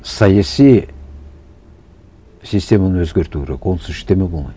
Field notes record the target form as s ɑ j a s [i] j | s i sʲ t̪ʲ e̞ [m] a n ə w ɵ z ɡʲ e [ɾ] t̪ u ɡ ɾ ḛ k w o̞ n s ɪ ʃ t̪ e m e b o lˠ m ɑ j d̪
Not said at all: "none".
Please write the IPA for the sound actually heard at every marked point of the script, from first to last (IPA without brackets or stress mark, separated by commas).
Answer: i, m, ɾ